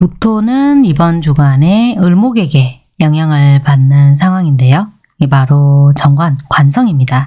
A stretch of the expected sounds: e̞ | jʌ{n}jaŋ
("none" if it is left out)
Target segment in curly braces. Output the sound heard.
ŋ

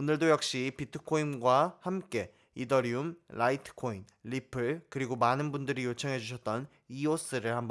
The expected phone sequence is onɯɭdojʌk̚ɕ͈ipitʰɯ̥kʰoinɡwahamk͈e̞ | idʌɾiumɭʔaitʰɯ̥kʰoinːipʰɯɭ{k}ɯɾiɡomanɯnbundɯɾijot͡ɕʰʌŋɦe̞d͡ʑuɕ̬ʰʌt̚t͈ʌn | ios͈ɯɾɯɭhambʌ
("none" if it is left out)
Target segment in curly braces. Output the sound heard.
k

